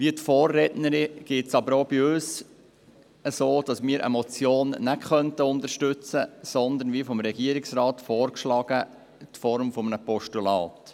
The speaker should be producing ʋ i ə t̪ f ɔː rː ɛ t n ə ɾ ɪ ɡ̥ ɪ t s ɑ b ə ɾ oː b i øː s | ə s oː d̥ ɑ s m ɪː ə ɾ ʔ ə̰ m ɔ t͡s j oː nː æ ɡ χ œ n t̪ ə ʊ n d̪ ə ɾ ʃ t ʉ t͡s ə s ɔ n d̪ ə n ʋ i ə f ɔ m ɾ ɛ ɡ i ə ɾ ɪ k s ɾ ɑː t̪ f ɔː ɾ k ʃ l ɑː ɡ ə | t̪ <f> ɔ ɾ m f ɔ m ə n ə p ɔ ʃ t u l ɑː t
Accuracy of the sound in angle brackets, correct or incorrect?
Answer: correct